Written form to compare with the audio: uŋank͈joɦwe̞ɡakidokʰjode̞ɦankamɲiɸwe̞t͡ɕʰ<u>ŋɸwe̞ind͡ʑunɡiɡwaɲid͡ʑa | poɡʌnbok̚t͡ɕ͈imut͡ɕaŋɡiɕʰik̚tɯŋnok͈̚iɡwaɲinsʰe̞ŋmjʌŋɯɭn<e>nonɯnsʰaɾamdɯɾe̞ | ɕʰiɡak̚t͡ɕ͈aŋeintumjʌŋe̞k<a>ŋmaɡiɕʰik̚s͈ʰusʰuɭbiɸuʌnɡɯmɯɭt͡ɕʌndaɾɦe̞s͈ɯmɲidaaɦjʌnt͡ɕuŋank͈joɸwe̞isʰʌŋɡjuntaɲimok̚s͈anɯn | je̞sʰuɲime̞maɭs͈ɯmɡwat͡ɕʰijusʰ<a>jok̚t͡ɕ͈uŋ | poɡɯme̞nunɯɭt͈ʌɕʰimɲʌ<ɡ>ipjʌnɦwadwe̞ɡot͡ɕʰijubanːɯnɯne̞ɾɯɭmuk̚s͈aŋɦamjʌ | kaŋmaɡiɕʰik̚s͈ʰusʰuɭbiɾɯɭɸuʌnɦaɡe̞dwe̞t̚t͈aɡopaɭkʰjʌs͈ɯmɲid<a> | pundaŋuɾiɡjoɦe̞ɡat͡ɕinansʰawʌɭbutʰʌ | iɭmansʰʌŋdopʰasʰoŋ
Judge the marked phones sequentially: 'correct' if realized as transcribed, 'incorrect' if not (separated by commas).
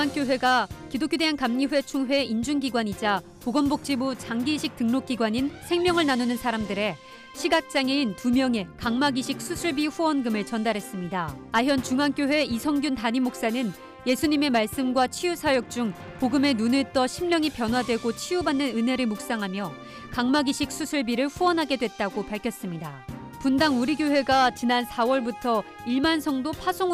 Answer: correct, incorrect, correct, correct, incorrect, correct